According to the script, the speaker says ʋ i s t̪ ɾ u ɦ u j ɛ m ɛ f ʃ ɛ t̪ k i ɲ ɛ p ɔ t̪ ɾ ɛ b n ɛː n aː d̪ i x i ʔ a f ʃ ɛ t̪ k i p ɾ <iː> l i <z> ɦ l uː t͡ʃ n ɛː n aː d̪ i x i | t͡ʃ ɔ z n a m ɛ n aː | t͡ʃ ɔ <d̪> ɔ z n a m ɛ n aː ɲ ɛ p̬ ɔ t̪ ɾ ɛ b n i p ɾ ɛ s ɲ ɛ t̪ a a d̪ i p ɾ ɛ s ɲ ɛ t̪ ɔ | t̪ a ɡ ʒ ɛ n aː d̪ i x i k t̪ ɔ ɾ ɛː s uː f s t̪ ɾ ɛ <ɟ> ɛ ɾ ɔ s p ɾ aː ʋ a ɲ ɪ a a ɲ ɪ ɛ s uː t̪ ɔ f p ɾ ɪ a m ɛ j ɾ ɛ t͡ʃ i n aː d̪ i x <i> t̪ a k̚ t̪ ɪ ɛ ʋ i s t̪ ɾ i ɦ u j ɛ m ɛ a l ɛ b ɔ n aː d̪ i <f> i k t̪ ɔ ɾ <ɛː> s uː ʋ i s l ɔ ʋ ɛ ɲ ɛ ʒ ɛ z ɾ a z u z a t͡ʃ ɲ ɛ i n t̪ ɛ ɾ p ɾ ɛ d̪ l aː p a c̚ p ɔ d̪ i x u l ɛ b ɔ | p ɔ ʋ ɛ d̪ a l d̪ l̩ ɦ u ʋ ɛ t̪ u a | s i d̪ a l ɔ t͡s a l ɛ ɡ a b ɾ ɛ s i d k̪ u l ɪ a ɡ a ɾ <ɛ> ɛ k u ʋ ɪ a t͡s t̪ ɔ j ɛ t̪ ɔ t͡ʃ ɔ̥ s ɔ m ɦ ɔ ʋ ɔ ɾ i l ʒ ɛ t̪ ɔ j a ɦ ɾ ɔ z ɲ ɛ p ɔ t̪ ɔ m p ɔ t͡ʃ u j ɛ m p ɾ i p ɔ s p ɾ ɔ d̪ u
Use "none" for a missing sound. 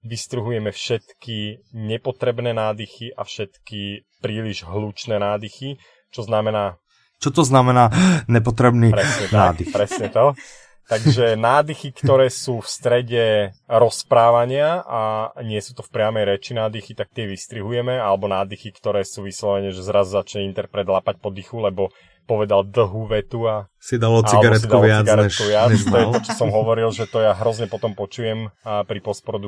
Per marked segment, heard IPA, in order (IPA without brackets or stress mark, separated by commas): iː, ʒ, t̪, ɟ, i, x, ɛː, ɛ